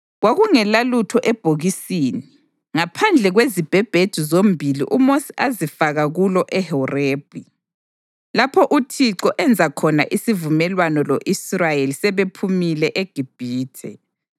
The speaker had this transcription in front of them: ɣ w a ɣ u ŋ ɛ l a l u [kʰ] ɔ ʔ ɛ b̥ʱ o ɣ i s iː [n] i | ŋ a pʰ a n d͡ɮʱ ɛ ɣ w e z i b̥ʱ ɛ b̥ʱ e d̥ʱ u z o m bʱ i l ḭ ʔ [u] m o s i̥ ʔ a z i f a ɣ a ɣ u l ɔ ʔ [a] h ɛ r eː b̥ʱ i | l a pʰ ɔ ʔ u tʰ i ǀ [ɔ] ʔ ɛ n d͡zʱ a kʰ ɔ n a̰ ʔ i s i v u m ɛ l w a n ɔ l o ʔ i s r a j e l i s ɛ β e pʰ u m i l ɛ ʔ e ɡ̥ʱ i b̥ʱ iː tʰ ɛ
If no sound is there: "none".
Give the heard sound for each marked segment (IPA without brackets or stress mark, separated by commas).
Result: tʰ, n, u, ɛ, ɔ